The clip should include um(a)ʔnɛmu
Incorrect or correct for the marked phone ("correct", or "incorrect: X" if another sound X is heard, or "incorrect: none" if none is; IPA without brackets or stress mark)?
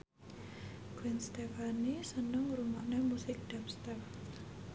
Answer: correct